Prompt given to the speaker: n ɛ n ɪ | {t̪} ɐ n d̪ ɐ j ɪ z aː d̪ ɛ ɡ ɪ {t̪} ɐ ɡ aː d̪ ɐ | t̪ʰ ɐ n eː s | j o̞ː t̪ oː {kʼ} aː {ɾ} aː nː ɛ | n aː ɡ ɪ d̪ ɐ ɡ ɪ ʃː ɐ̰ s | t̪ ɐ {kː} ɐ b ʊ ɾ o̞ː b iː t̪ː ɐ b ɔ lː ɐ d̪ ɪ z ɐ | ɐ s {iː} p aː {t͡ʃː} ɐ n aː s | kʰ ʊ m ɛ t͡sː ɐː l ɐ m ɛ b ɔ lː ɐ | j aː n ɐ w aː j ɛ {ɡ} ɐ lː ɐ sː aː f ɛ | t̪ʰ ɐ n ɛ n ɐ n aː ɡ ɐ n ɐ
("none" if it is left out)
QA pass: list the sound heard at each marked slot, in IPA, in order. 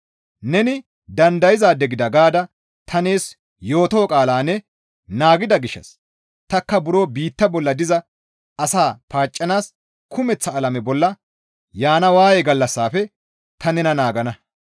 d̪, d̪, kʼ, l, kː, aː, t͡ʃʼː, ɡ

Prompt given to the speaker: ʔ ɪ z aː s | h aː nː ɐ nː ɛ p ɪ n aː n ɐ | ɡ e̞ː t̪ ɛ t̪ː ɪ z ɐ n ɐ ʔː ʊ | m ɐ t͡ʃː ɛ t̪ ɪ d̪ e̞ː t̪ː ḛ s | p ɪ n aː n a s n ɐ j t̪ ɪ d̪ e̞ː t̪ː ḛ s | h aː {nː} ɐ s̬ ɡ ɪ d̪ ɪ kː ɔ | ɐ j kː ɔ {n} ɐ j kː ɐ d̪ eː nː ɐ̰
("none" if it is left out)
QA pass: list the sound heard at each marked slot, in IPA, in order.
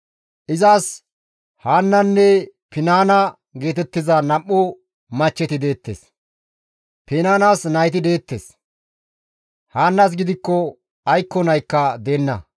nː, n

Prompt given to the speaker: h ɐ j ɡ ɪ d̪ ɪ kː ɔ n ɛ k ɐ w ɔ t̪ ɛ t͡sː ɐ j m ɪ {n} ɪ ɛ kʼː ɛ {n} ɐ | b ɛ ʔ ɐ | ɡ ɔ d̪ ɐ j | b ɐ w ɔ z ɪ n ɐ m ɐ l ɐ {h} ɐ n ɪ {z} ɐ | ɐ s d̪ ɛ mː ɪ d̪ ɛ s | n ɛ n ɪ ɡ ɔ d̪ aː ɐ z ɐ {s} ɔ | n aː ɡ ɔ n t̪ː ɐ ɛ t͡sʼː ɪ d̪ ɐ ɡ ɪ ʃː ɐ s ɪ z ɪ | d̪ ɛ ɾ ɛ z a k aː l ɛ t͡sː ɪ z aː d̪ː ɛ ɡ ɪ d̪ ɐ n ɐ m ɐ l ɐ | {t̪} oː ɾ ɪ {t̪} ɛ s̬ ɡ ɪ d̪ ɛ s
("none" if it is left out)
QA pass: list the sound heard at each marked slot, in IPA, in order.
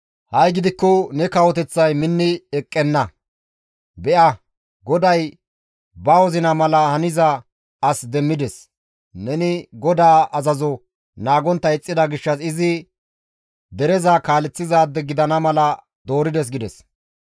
nː, nː, h, z, z, d̪, d̪

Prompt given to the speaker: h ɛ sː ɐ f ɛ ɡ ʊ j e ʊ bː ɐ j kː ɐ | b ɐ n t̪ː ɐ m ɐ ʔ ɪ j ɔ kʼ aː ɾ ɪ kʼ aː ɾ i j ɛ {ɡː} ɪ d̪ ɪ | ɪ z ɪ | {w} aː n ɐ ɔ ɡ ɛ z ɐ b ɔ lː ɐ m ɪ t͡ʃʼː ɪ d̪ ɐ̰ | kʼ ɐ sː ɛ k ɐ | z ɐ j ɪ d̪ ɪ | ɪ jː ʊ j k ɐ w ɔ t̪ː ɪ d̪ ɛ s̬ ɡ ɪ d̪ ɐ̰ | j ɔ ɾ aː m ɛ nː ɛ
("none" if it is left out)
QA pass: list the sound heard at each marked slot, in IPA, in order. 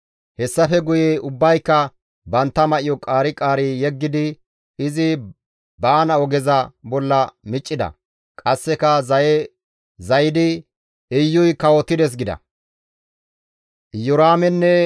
ɡː, b

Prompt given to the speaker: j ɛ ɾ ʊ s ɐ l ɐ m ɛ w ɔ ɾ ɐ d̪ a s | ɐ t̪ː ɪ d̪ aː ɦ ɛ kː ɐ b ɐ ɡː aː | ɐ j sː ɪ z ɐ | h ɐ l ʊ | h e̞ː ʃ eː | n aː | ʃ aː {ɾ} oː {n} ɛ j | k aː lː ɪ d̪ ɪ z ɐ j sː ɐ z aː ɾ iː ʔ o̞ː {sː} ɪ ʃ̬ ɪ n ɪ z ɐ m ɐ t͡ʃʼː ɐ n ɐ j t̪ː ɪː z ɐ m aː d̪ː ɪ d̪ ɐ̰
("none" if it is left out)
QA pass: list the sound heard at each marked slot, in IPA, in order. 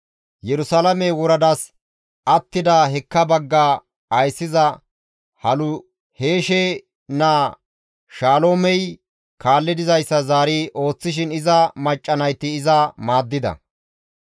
l, m, t͡sː

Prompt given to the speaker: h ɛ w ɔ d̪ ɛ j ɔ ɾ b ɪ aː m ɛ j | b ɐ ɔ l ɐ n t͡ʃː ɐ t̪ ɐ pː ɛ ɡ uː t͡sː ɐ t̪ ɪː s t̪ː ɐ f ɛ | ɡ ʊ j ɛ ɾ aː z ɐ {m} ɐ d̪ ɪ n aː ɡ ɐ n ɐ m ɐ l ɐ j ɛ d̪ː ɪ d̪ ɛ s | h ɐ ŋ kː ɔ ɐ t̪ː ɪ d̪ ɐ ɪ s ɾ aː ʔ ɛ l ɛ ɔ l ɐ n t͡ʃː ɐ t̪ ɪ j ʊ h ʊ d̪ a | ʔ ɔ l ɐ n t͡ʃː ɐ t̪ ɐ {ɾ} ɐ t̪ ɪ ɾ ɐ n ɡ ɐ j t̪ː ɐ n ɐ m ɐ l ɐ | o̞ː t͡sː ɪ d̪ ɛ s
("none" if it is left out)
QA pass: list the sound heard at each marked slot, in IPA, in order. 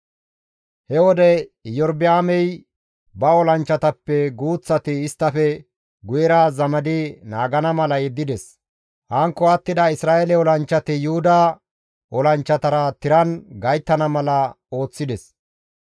m, ɾ

